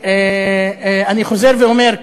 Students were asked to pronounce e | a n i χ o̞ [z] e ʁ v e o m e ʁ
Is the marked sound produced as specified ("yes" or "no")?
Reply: yes